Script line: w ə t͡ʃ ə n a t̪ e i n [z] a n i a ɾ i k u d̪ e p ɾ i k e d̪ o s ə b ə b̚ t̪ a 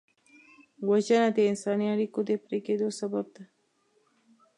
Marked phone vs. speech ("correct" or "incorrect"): incorrect